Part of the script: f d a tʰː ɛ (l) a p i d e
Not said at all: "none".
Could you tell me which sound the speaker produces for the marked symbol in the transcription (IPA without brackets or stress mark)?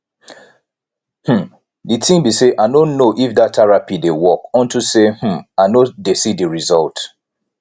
ɹ